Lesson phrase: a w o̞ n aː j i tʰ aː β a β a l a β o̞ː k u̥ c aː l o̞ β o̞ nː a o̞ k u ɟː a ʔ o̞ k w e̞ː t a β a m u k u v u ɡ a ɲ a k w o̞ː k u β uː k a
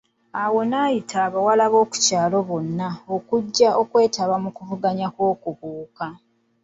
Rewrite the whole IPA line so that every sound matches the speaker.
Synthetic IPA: a w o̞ n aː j i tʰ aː β a w a l a β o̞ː k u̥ c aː l o̞ β o̞ nː a o̞ k u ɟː a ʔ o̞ k w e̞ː t a β a m u k u v u ɡ a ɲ a k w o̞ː k u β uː k a